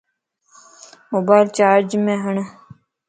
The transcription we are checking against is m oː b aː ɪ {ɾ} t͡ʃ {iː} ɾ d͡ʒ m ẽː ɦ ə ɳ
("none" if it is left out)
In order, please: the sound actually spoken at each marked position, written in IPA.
l, aː

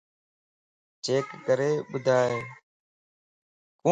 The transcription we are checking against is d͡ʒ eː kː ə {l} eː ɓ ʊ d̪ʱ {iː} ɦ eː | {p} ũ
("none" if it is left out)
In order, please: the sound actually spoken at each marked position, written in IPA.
ɾ, aː, k

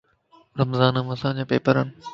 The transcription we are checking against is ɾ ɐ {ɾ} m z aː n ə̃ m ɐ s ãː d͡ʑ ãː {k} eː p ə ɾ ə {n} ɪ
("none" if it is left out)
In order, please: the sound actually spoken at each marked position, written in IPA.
none, p, n

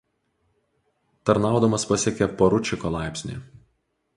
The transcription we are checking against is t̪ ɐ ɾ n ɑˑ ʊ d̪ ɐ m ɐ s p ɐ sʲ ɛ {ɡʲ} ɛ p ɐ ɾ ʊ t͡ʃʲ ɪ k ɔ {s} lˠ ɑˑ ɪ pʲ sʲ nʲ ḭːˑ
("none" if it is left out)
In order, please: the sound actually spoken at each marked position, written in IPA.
kʲ, none

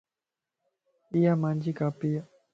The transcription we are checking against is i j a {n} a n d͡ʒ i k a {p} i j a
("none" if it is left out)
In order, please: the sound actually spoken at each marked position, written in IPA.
m, p

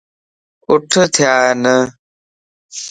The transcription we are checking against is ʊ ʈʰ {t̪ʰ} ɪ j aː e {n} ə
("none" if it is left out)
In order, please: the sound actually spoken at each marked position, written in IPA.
t̪ʰ, n

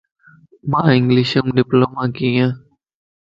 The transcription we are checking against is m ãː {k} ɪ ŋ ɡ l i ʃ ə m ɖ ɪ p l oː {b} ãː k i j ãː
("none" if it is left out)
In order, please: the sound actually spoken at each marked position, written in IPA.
none, m

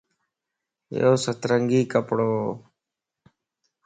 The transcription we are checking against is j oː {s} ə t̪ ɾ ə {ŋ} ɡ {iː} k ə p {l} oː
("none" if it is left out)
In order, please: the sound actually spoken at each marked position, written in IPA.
s, ŋ, iː, ɽ

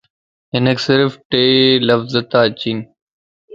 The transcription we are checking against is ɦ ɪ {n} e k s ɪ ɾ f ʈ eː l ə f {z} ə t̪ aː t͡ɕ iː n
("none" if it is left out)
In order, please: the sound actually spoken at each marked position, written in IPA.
n, z

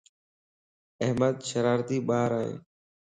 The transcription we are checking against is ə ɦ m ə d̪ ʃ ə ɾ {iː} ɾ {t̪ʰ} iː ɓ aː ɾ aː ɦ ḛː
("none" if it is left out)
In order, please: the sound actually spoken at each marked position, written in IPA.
aː, t̪

